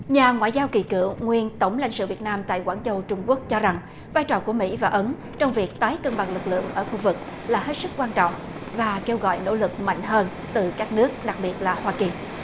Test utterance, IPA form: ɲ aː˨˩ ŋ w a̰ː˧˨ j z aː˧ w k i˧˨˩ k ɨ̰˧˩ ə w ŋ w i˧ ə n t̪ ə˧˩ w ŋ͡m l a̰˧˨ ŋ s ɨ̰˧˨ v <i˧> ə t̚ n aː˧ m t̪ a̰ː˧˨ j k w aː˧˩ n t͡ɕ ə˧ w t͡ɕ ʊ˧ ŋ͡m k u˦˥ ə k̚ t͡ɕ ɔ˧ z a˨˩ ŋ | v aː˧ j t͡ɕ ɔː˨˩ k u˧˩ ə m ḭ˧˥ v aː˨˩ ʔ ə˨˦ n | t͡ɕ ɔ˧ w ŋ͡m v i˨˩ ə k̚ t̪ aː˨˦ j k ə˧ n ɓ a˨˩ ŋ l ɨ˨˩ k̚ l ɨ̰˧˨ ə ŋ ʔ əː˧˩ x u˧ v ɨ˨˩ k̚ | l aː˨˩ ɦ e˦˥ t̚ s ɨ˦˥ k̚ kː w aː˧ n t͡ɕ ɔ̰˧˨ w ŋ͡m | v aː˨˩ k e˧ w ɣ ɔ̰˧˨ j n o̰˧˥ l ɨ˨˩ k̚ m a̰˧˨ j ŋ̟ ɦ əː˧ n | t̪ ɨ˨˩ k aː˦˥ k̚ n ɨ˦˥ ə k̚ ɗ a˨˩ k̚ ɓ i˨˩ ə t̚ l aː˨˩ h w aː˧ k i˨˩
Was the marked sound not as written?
yes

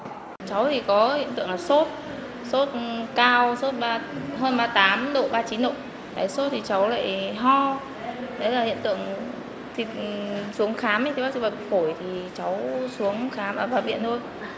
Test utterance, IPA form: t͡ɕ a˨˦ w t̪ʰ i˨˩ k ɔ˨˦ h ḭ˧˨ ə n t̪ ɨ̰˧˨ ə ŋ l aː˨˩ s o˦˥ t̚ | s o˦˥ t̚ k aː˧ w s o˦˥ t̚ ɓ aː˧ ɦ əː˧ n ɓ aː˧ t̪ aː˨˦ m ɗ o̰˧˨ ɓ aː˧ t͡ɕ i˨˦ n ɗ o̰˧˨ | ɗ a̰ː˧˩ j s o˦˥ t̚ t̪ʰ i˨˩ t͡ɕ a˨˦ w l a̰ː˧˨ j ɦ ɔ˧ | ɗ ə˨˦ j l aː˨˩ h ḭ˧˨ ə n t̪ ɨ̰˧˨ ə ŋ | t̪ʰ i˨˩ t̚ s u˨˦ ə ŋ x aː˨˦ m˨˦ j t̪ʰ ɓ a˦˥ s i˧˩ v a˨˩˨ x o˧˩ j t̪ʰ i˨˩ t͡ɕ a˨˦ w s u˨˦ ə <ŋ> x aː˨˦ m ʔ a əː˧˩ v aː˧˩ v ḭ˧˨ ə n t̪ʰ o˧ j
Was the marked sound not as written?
no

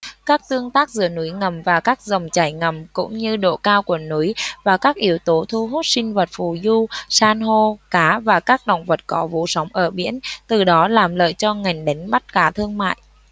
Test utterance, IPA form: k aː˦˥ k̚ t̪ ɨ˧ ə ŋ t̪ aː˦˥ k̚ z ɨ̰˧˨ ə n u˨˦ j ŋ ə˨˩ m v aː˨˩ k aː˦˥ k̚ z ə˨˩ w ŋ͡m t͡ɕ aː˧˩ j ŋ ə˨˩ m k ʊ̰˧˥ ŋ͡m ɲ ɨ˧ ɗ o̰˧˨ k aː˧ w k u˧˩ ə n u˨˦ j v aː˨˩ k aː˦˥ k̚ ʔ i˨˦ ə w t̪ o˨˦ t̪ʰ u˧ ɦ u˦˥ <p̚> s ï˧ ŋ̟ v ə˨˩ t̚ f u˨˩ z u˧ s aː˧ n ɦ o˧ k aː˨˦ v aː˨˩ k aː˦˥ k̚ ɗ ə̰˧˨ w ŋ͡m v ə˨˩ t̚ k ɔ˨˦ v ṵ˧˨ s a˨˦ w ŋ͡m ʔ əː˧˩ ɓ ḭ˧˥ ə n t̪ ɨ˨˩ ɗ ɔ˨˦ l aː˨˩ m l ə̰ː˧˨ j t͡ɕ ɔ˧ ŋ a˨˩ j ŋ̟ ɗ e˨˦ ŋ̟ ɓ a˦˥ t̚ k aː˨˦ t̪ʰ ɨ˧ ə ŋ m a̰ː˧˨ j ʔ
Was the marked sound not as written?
yes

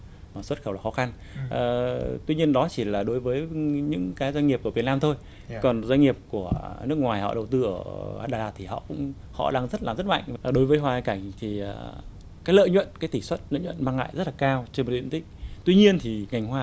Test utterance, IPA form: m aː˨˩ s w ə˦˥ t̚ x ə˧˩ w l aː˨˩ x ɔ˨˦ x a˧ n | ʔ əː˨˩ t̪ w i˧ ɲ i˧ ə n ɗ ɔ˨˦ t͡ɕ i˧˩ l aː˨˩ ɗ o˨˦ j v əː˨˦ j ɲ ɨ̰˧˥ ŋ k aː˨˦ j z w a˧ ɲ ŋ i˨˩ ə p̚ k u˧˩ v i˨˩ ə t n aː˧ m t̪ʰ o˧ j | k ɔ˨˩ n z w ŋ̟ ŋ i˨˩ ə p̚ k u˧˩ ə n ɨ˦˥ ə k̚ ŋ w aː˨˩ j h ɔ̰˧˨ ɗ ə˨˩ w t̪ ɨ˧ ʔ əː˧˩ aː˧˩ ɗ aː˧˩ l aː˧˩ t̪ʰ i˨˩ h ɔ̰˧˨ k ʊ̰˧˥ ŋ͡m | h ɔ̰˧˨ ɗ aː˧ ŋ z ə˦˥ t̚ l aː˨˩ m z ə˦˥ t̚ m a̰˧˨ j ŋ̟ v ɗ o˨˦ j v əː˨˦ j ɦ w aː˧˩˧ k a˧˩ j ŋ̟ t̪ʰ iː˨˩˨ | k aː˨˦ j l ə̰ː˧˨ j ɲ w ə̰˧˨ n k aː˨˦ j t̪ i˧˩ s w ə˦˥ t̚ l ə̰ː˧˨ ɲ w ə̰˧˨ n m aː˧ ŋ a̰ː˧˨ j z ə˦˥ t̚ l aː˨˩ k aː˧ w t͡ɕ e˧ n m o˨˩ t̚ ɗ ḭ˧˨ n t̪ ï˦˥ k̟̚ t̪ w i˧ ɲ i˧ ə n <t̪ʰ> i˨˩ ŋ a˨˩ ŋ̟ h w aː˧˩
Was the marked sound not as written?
no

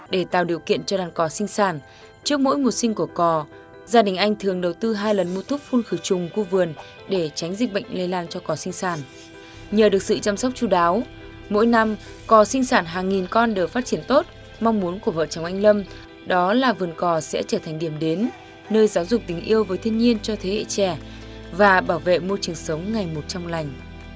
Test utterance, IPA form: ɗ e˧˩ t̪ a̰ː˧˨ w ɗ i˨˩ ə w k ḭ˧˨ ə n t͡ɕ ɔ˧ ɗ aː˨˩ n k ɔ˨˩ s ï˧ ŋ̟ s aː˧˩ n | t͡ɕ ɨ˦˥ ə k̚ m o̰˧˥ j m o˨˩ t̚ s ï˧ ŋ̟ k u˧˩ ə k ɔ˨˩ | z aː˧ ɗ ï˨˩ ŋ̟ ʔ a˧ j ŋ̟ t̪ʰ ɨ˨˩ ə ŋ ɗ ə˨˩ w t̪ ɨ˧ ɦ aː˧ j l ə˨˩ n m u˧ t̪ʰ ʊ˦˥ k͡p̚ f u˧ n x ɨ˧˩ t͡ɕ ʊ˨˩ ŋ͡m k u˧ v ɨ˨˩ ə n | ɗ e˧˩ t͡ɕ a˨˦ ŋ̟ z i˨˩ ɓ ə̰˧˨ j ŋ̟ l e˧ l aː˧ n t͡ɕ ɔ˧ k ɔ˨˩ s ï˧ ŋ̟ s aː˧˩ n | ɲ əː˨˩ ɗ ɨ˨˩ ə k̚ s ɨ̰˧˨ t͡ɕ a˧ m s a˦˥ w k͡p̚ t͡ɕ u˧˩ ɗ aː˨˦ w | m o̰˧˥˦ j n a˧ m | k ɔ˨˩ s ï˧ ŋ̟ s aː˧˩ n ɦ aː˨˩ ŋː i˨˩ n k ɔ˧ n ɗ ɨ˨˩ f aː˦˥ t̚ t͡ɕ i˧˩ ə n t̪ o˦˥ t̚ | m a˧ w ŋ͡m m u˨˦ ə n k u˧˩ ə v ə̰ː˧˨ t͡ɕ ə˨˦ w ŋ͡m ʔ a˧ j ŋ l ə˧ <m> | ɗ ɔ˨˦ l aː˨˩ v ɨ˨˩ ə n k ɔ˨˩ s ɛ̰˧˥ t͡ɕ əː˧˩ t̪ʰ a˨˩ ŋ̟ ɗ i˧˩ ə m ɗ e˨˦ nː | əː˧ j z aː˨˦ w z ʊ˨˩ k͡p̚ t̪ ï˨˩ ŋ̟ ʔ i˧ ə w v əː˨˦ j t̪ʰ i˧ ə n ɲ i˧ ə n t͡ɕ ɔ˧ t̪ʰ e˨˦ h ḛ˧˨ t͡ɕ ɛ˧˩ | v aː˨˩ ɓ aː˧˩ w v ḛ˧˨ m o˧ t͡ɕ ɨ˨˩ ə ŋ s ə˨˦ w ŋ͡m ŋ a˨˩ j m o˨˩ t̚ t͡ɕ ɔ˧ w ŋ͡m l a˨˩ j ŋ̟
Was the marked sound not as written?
no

